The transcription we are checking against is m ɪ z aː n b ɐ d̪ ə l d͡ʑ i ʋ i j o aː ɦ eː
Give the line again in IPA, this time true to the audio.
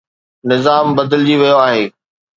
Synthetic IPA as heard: n ɪ z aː m b ɐ d̪ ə l d͡ʑ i ʋ i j o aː ɦ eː